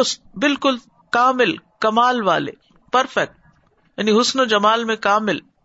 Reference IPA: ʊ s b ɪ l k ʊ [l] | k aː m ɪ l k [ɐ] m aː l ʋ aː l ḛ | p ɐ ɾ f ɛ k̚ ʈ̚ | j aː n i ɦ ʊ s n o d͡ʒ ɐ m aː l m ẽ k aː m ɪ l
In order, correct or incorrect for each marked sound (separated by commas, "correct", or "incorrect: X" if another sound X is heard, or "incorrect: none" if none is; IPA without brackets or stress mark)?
correct, correct